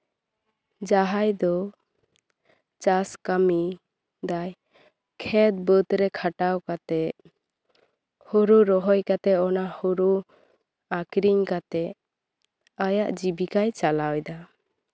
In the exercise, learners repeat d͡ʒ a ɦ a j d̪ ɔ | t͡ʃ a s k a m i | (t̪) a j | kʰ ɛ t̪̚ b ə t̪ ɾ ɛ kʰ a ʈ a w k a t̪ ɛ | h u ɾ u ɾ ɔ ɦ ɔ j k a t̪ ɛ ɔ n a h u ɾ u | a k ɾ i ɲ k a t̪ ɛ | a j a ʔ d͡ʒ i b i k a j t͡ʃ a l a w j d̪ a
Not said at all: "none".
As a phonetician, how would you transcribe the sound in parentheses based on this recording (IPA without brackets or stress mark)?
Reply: d̪